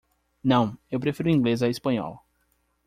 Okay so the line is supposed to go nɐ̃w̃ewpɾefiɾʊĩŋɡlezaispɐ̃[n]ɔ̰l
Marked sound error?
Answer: yes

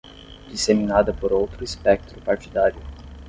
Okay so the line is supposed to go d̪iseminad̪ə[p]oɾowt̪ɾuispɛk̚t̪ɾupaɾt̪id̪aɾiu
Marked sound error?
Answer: no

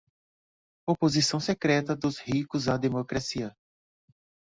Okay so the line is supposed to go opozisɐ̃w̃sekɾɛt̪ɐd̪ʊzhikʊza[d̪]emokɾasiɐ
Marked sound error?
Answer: no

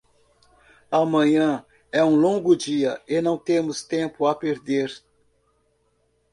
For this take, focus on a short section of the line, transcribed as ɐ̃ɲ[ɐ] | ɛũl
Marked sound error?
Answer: yes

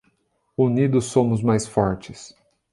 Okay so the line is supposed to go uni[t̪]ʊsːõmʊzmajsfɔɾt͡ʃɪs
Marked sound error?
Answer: yes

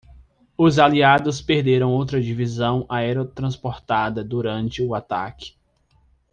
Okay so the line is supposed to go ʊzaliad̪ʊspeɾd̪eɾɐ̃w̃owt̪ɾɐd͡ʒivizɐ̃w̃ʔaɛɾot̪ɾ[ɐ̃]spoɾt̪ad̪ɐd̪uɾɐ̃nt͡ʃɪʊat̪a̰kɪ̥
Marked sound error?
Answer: no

